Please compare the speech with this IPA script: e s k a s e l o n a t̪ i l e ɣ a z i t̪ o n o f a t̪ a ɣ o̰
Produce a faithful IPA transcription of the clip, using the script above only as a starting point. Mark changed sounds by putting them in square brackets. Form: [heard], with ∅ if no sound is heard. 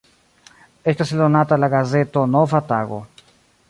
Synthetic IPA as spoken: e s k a s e l o n a t̪ [a] l [a] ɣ a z [e] t̪ o n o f a t̪ a ɣ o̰